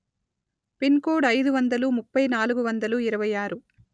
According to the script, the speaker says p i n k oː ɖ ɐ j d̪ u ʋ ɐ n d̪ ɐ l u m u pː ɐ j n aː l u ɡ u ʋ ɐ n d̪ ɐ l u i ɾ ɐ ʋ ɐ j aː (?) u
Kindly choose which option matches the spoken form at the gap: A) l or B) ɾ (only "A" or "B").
B